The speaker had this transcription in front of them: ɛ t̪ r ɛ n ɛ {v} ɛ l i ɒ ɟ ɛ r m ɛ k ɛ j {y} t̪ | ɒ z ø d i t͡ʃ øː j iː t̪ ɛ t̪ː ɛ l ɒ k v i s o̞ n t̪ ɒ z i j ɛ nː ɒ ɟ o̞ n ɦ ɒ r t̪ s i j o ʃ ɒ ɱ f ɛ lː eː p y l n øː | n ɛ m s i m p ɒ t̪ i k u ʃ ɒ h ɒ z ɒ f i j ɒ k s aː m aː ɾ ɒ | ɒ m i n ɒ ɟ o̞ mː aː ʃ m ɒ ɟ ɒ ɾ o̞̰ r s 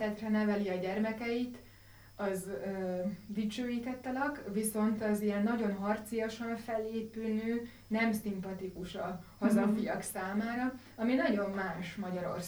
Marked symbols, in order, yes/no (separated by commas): yes, no